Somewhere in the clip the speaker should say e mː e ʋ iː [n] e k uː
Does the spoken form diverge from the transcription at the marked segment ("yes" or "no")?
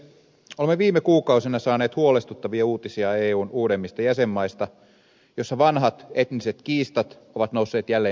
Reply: yes